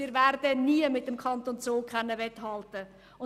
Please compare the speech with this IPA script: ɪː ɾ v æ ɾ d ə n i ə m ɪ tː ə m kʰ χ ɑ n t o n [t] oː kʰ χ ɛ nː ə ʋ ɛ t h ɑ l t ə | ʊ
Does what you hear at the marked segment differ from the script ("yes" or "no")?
yes